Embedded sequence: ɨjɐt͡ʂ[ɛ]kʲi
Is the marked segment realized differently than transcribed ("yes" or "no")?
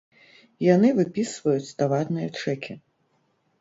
no